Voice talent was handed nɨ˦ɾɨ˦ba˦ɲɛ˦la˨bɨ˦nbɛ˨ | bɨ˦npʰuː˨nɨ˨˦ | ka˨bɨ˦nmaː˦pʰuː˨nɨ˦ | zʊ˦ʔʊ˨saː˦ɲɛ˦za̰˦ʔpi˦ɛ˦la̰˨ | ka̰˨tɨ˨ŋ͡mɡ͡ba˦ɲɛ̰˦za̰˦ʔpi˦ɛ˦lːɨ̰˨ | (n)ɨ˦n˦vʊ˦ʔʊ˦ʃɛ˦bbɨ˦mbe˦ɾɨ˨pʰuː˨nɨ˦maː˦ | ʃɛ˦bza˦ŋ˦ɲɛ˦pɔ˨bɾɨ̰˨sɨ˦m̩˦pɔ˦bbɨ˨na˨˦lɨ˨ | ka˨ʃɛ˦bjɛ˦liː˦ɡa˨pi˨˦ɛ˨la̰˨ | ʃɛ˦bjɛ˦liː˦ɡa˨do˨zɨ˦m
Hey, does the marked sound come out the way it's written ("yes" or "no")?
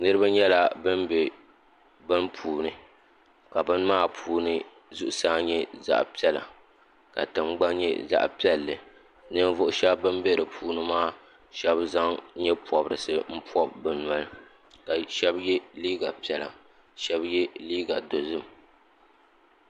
yes